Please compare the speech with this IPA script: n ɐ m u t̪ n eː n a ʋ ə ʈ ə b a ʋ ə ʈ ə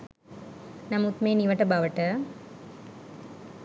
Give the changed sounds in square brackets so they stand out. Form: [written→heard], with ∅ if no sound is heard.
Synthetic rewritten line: n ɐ m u t̪ [n→m] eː n [a→i] ʋ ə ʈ ə b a ʋ ə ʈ ə